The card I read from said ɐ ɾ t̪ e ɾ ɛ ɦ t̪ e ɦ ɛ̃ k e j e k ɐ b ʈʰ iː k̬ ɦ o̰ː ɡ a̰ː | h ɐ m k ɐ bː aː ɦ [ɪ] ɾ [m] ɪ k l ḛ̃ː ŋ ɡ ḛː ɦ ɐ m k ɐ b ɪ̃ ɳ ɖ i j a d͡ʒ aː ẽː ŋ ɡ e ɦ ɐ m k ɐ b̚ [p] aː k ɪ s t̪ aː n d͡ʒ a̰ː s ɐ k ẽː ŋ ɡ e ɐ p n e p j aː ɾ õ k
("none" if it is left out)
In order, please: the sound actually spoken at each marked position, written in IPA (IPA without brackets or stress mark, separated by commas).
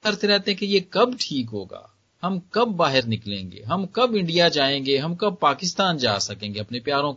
ɪ, n, p